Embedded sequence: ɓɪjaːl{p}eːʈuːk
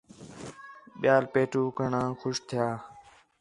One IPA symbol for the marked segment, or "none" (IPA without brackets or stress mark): p